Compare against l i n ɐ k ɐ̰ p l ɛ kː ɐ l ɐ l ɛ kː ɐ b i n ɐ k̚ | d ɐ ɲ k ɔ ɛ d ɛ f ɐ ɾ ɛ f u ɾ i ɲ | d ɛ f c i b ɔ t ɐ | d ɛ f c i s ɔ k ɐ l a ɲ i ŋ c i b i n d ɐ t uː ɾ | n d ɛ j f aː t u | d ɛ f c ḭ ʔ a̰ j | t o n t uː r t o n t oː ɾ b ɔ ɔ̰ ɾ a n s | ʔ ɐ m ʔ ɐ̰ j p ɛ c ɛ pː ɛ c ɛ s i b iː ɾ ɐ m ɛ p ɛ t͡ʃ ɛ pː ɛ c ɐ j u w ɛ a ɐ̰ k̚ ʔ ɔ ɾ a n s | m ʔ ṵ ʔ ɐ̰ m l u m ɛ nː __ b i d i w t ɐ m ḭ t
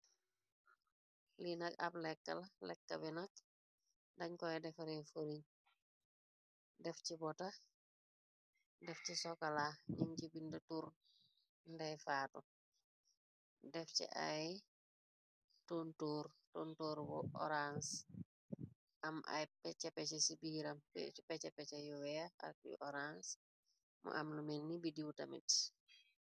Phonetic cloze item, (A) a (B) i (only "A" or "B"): B